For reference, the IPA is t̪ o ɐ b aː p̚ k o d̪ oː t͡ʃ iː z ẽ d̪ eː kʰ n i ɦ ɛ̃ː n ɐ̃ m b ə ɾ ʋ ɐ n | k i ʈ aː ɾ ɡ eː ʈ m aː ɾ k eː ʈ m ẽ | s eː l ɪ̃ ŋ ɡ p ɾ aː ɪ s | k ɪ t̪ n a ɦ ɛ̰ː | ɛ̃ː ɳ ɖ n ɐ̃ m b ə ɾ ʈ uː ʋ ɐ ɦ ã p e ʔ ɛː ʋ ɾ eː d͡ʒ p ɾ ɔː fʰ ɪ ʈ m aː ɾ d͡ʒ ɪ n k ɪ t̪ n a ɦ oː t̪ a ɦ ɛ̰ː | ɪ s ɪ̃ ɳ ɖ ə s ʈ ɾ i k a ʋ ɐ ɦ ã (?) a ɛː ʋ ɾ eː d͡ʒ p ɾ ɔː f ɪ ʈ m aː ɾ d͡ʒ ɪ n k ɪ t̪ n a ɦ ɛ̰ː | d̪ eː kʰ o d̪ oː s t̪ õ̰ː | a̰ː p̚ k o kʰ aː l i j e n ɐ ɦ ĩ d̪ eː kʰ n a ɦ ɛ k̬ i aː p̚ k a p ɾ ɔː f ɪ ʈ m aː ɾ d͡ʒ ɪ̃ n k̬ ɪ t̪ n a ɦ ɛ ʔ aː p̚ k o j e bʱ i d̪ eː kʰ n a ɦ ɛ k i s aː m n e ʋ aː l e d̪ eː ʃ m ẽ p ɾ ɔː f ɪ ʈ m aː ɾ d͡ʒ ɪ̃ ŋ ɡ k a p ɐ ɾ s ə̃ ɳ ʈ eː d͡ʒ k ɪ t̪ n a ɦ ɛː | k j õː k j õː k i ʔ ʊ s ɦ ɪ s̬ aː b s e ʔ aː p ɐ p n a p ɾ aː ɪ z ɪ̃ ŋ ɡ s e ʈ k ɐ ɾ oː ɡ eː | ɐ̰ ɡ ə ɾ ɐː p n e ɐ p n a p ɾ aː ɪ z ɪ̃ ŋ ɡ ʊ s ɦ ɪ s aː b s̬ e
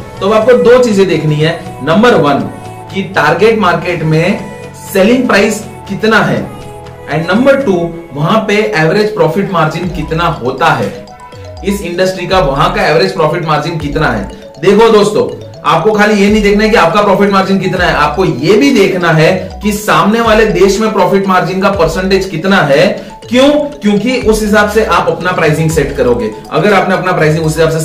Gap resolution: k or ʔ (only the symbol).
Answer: k